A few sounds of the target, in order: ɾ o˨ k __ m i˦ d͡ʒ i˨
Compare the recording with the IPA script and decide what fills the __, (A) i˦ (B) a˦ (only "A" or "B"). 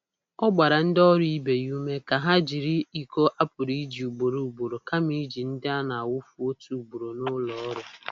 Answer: B